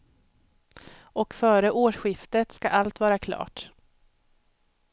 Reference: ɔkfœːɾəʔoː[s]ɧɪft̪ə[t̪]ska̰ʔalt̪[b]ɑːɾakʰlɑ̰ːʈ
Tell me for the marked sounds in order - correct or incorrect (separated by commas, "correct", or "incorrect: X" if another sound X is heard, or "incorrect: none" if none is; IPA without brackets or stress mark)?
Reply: incorrect: ʂ, correct, incorrect: v